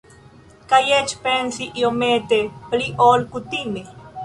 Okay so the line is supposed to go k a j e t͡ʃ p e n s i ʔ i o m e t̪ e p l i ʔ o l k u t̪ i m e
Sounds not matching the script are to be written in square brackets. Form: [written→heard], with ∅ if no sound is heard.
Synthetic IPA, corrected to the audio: k a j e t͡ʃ p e n s i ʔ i o m e t̪ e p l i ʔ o l k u t̪ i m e